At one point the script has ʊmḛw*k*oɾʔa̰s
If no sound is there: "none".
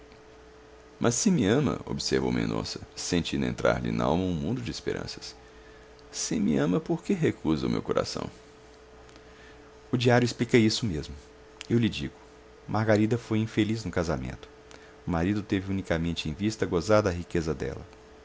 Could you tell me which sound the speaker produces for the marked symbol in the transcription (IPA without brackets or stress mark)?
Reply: k